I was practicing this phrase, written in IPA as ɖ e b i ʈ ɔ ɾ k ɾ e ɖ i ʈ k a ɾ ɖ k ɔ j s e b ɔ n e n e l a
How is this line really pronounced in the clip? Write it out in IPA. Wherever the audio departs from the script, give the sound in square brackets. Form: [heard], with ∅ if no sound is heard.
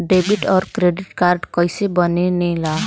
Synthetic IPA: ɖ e b i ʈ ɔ ɾ k ɾ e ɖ i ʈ k a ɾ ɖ k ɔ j s e b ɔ n e n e l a